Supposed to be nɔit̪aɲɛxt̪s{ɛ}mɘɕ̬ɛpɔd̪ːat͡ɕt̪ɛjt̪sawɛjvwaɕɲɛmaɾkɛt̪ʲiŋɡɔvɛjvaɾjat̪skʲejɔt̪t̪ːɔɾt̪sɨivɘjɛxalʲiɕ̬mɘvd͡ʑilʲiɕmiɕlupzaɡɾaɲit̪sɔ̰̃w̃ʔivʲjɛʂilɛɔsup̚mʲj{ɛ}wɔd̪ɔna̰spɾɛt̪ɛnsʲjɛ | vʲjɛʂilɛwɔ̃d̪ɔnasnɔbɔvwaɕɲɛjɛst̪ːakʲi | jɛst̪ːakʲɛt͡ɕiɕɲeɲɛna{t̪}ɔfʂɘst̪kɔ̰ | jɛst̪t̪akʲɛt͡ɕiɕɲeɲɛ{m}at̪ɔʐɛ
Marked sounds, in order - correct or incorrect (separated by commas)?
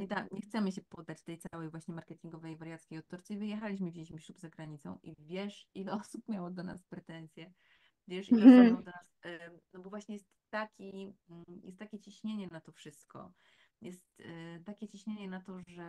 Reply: correct, incorrect, correct, incorrect